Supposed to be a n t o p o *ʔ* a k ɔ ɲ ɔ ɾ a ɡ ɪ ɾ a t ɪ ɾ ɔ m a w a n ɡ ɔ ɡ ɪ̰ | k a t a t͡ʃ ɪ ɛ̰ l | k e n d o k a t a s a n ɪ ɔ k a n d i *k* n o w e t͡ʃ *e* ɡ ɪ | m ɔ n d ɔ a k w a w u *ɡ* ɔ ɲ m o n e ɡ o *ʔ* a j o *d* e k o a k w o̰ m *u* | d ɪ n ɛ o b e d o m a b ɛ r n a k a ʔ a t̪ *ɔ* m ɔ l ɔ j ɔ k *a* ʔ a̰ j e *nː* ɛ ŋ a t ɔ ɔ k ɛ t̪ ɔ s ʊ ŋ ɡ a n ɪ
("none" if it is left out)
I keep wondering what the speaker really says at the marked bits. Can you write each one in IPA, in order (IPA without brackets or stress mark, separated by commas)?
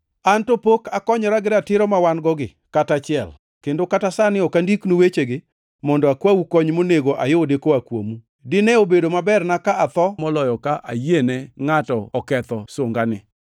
k, k, e, k, ʔ, d, u, ɔ, a, n